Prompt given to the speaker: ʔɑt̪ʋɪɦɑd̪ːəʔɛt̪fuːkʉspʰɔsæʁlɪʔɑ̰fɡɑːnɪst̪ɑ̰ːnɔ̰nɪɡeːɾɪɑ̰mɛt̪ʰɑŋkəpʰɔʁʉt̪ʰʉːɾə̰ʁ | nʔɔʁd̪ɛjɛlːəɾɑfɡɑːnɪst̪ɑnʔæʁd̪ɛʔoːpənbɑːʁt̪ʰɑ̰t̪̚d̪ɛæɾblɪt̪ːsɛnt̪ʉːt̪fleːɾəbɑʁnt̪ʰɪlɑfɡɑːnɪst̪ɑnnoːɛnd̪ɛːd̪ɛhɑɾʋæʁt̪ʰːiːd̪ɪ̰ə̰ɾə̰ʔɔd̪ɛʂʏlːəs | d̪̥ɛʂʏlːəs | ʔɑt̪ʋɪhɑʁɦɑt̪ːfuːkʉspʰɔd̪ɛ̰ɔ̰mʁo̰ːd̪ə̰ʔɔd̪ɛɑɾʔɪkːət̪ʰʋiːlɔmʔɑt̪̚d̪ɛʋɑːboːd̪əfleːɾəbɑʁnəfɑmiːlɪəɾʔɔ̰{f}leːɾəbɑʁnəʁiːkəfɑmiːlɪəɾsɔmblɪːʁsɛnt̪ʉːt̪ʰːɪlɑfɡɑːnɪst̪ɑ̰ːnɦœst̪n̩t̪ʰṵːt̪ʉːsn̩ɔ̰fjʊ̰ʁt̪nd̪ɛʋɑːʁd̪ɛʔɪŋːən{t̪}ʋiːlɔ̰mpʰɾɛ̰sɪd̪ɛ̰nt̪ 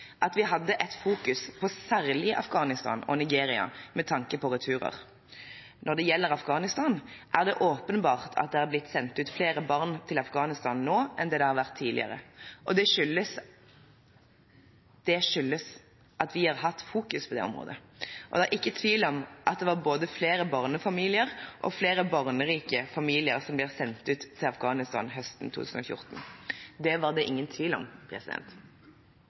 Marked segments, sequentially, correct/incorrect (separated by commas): correct, incorrect